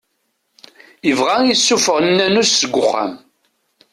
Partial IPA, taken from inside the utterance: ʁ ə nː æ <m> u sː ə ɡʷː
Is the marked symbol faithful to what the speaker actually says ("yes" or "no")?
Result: no